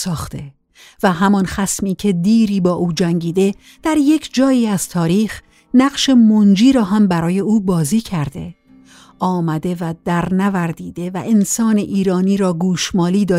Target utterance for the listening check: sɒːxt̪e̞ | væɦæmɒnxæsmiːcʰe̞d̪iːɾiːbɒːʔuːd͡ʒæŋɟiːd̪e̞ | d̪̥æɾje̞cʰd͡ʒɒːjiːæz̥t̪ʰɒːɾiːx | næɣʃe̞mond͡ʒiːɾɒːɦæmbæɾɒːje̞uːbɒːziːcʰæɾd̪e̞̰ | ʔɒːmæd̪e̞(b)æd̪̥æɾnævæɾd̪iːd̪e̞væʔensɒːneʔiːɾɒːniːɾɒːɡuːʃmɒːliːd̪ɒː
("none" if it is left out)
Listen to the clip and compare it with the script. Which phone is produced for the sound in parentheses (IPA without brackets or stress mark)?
v